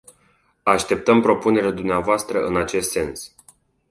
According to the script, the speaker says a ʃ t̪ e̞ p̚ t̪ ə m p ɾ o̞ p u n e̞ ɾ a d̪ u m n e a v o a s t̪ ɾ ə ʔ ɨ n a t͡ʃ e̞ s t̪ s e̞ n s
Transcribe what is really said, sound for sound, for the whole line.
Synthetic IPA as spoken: a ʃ t̪ e̞ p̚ t̪ ə m p ɾ o̞ p u n e̞ ɾ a d̪ u m n e a v o a s t̪ ɾ ə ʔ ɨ n a t͡ʃ e̞ s t̪ s e̞ n s